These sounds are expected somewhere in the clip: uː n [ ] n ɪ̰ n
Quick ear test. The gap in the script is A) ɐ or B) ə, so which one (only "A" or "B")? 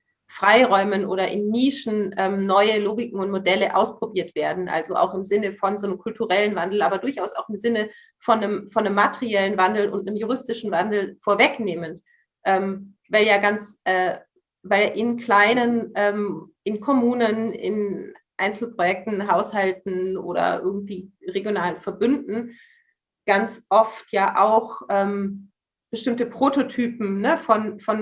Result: B